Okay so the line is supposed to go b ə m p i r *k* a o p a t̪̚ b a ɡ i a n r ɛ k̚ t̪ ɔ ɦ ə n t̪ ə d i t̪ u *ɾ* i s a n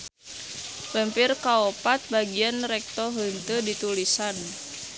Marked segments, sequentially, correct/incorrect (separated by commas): correct, incorrect